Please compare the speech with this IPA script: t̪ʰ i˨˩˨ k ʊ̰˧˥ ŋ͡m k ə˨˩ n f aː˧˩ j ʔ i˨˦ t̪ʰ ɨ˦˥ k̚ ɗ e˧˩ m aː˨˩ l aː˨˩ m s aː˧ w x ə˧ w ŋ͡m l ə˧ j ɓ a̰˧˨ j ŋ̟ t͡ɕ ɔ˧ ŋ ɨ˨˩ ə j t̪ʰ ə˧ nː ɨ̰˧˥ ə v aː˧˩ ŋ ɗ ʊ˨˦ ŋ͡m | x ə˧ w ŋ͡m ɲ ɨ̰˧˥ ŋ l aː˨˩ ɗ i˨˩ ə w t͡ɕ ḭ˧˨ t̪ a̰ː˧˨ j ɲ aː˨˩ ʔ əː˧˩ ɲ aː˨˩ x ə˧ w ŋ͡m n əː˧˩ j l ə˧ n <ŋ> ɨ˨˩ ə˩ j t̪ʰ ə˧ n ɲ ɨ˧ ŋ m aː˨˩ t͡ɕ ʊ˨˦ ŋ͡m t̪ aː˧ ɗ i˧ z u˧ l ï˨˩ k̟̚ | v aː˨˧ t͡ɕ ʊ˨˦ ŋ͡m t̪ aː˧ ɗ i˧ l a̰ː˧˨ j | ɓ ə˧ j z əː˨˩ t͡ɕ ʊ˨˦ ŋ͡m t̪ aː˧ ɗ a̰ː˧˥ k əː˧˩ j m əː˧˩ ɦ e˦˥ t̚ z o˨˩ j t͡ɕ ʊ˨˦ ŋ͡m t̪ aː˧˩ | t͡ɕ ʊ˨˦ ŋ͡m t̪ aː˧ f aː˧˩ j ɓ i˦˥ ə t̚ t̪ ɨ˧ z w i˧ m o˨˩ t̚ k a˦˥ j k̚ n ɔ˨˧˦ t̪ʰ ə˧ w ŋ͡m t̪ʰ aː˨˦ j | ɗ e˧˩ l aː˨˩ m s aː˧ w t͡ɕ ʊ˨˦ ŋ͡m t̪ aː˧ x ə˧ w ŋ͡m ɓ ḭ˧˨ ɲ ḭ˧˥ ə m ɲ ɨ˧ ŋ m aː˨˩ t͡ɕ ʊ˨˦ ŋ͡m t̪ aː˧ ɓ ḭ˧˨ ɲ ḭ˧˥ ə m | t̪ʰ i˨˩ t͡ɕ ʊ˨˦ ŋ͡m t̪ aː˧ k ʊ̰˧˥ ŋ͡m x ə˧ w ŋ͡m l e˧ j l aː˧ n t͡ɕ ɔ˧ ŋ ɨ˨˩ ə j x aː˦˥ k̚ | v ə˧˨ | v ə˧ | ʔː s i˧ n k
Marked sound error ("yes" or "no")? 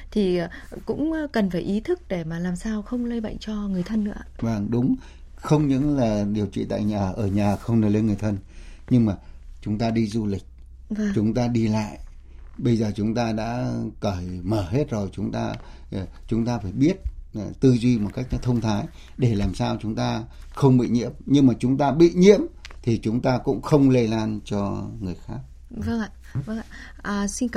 no